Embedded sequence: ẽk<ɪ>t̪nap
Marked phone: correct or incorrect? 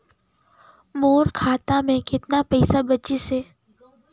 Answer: correct